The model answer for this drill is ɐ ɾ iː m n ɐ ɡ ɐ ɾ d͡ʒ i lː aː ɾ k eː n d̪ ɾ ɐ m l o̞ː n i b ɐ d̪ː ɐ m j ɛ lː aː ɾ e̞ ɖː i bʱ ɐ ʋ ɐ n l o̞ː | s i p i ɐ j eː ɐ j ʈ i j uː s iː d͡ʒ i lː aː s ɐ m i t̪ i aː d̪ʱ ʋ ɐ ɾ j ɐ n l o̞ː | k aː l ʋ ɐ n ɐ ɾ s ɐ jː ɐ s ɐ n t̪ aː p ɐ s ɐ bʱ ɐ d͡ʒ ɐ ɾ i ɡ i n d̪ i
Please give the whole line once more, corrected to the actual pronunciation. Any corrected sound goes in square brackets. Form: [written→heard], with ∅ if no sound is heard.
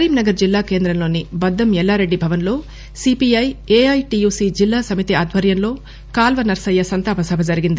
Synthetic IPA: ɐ ɾ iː m n ɐ ɡ ɐ ɾ d͡ʒ i lː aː [ɾ→∅] k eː n d̪ ɾ ɐ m l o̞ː n i b ɐ d̪ː ɐ m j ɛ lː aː ɾ e̞ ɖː i bʱ ɐ ʋ ɐ n l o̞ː | s i p i ɐ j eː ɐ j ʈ i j uː s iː d͡ʒ i lː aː s ɐ m i t̪ i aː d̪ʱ ʋ ɐ ɾ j ɐ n l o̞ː | k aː l ʋ ɐ n ɐ ɾ s ɐ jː ɐ s ɐ n t̪ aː p ɐ s ɐ bʱ ɐ d͡ʒ ɐ ɾ i ɡ i n d̪ i

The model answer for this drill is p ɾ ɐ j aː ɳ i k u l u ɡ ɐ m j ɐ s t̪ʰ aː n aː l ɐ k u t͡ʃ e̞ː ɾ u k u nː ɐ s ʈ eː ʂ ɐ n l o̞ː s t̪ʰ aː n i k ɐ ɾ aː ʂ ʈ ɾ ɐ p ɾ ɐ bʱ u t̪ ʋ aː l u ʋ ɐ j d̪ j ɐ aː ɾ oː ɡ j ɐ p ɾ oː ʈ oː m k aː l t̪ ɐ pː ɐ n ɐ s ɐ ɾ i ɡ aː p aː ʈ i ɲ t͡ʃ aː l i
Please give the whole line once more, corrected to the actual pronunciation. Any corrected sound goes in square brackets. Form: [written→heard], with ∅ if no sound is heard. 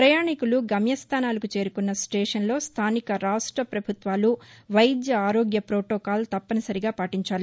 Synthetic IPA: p ɾ ɐ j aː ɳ i k u l u ɡ ɐ m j ɐ s t̪ʰ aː n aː l ɐ k u t͡ʃ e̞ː ɾ u k u nː ɐ s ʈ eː ʂ ɐ n l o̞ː s t̪ʰ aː n i k ɐ ɾ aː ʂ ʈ ɾ ɐ p ɾ ɐ bʱ u t̪ ʋ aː l u ʋ ɐ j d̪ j ɐ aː ɾ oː ɡ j ɐ p ɾ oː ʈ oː [m→∅] k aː l t̪ ɐ pː ɐ n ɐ s ɐ ɾ i ɡ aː p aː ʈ i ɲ t͡ʃ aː l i

